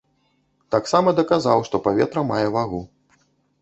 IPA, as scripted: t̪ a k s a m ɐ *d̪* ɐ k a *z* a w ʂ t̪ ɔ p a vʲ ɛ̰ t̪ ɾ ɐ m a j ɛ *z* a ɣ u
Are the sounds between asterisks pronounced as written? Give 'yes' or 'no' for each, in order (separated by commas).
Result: yes, yes, no